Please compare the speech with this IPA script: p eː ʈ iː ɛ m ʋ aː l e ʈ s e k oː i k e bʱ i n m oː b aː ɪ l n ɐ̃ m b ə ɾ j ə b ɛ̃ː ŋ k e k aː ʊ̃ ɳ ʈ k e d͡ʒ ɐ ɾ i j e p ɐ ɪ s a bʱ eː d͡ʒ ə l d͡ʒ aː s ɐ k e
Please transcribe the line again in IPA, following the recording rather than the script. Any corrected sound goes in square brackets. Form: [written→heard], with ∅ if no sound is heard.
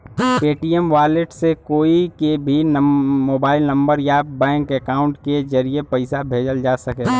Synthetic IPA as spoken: p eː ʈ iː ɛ m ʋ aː l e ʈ s e k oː i k e bʱ i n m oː b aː ɪ l n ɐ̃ m b ə ɾ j [ə→a] b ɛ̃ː ŋ k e k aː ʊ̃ ɳ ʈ k e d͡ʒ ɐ ɾ i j e p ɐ ɪ s a bʱ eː d͡ʒ ə l d͡ʒ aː s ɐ k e